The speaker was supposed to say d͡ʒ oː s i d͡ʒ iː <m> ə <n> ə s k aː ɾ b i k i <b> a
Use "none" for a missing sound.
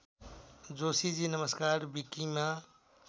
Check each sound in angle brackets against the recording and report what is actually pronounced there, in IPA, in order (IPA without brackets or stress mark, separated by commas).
n, m, m